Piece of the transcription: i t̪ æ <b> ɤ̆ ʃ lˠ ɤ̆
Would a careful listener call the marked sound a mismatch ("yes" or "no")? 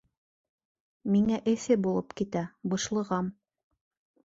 no